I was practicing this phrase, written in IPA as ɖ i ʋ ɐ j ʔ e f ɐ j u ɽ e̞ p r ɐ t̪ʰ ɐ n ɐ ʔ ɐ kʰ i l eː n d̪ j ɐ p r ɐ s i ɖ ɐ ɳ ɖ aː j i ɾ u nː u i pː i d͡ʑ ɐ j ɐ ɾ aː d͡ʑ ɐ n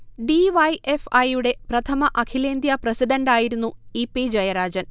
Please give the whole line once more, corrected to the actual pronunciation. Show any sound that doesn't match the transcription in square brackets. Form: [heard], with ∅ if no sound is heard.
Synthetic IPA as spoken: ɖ i ʋ ɐ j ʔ e f ɐ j u ɽ e̞ p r ɐ t̪ʰ ɐ [m] ɐ ʔ ɐ kʰ i l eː n d̪ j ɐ p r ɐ s i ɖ ɐ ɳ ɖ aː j i ɾ u nː u i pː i d͡ʑ ɐ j ɐ ɾ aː d͡ʑ ɐ n

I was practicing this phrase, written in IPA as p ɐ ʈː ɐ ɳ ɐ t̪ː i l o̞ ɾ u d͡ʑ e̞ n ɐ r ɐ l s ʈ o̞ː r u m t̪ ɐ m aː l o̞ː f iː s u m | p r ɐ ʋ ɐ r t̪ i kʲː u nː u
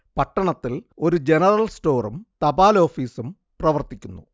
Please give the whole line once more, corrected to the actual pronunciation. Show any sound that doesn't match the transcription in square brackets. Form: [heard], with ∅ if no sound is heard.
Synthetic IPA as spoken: p ɐ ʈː ɐ ɳ ɐ t̪ː i l o̞ ɾ u d͡ʑ e̞ n ɐ r ɐ l s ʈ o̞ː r u m t̪ ɐ [b] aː l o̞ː f iː s u m | p r ɐ ʋ ɐ r t̪ i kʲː u nː u

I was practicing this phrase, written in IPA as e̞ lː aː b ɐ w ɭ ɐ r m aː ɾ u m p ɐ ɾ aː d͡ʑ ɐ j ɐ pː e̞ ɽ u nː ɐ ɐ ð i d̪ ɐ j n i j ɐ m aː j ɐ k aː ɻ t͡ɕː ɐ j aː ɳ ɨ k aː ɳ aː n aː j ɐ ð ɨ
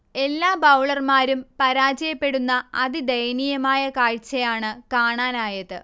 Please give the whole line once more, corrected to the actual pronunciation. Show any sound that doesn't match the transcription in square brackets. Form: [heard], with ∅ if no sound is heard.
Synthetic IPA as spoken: e̞ lː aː b ɐ w ɭ ɐ r m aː ɾ u m p ɐ ɾ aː d͡ʑ ɐ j ɐ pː e̞ ɽ u nː ɐ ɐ ð i d̪ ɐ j n i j ɐ m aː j ɐ k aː ɻ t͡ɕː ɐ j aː ɳ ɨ k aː ɳ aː n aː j ɐ ð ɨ

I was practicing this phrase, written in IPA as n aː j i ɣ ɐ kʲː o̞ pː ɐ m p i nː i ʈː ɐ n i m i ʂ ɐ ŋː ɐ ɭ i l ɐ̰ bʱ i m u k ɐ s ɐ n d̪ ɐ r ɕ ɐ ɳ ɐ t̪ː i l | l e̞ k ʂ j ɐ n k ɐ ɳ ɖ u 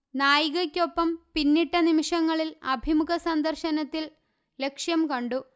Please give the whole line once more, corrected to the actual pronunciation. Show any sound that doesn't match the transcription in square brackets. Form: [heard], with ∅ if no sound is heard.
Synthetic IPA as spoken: n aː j i ɣ ɐ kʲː o̞ pː ɐ m p i nː i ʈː ɐ n i m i ʂ ɐ ŋː ɐ ɭ i l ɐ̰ bʱ i m u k ɐ s ɐ n d̪ ɐ r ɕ ɐ [n] ɐ t̪ː i l | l e̞ k ʂ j ɐ [m] k ɐ ɳ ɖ u

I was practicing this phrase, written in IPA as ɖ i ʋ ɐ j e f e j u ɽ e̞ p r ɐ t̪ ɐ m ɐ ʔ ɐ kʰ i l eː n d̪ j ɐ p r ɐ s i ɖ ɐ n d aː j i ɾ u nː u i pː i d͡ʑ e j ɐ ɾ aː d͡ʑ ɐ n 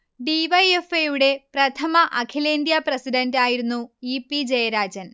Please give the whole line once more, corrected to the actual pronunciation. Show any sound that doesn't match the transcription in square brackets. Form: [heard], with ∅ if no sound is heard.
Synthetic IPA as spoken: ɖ i ʋ ɐ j e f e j u ɽ e̞ p r ɐ [t̪ʰ] ɐ m ɐ ʔ ɐ kʰ i l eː n d̪ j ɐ p r ɐ s i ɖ ɐ n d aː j i ɾ u nː u i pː i d͡ʑ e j ɐ ɾ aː d͡ʑ ɐ n

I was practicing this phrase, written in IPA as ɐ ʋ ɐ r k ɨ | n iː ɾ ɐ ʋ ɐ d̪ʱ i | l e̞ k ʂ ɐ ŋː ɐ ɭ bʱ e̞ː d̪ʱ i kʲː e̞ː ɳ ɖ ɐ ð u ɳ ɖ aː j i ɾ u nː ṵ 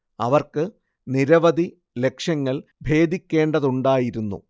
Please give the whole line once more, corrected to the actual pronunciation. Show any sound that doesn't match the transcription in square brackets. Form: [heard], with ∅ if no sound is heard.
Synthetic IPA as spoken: ɐ ʋ ɐ r k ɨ | n [i] ɾ ɐ ʋ ɐ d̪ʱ i | l e̞ k ʂ ɐ ŋː ɐ ɭ bʱ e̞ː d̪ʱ i kʲː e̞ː ɳ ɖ ɐ ð u ɳ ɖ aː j i ɾ u nː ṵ

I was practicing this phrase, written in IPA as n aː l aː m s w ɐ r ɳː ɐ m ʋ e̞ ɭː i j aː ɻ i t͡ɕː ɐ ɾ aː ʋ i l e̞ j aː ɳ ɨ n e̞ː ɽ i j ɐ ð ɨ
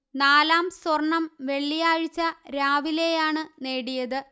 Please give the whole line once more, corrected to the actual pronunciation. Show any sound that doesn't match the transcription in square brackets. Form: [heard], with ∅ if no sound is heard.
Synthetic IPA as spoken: n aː l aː m s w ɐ r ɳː ɐ m ʋ e̞ ɭː i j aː ɻ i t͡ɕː ɐ ɾ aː ʋ i l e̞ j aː ɳ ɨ n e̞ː ɽ i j ɐ ð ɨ

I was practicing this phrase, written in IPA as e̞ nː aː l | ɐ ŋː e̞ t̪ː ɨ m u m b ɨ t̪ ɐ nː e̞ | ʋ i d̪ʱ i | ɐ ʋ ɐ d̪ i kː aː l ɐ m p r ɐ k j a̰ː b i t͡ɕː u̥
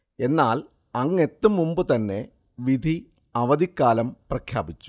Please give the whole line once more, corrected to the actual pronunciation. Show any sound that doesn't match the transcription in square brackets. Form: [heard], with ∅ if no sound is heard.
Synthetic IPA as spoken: e̞ nː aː l | ɐ ŋː e̞ t̪ː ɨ m u m b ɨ t̪ ɐ nː e̞ | ʋ i d̪ʱ i | ɐ ʋ ɐ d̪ i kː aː l ɐ m p r ɐ [kʰ] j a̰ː b i t͡ɕː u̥

